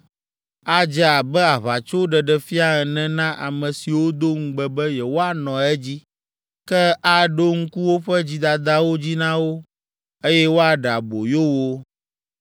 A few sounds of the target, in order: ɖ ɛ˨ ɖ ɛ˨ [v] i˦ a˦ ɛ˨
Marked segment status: incorrect: f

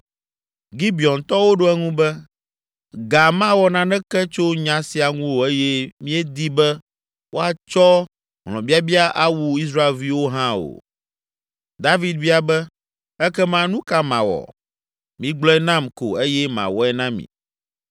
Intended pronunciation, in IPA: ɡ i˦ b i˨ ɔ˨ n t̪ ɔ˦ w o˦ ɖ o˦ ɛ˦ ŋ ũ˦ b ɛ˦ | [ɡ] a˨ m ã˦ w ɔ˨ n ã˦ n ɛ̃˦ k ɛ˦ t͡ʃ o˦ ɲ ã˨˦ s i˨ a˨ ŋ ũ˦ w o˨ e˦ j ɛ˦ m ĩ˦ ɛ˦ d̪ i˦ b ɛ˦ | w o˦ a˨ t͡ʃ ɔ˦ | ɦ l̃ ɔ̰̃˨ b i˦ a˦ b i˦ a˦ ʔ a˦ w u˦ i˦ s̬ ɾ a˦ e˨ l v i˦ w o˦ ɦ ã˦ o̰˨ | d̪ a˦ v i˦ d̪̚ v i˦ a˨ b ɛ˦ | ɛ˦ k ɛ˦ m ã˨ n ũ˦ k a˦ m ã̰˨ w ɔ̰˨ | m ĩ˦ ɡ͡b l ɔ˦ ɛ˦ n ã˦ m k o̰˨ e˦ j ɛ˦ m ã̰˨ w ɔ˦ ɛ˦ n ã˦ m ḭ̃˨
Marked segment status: correct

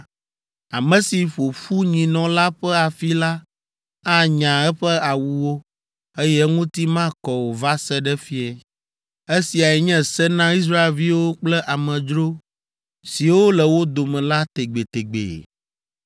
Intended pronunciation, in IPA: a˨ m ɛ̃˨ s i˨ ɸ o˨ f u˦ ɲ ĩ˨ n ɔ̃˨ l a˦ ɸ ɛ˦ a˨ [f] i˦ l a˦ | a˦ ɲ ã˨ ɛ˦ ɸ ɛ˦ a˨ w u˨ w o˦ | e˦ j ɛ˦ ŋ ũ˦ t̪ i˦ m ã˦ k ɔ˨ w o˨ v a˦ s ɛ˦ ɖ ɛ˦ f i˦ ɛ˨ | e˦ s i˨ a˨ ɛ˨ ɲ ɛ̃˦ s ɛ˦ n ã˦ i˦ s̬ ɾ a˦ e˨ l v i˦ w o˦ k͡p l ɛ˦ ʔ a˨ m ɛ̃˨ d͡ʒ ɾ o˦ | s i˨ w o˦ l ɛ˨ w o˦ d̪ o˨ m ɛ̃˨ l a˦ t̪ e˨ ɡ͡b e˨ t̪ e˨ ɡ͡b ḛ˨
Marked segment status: correct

